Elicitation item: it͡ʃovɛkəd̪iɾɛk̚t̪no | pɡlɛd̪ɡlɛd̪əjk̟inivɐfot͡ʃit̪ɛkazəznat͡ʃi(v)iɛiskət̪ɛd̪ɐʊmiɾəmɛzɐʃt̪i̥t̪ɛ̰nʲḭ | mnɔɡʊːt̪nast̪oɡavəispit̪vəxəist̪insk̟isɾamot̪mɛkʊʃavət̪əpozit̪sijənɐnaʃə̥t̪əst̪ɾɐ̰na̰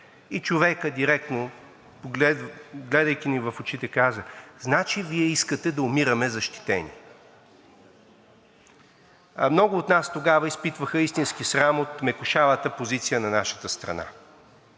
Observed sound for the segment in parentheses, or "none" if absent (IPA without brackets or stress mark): v